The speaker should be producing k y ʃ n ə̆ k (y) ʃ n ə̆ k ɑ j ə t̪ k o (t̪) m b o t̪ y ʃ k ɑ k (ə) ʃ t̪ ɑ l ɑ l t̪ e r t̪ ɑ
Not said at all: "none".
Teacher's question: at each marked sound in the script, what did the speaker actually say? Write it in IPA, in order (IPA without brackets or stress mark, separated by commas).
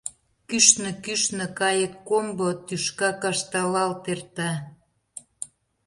y, none, ɑ